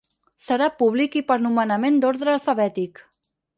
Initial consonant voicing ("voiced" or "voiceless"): voiceless